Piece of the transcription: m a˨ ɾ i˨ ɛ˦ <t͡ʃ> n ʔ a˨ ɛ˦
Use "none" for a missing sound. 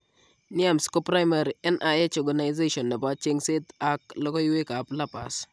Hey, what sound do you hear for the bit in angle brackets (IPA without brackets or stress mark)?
none